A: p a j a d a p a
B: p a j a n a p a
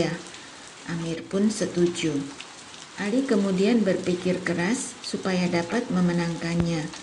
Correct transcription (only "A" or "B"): A